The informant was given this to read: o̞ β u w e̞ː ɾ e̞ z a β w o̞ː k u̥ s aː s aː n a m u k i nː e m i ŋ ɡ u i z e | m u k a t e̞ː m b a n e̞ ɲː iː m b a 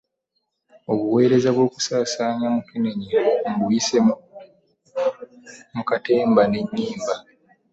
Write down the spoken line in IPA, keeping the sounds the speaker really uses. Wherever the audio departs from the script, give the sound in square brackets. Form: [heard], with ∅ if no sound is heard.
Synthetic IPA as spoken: o̞ β u w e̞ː ɾ e̞ z a β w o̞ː k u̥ s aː s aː [ɲ] a m u k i [n] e [ɲ] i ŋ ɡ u i [s] e | m u k a t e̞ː m b a n e̞ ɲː iː m b a